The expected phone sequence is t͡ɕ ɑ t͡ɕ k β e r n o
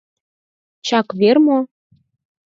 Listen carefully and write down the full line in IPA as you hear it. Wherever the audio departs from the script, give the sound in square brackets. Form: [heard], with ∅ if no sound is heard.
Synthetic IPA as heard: t͡ɕ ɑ [∅] k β e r [m] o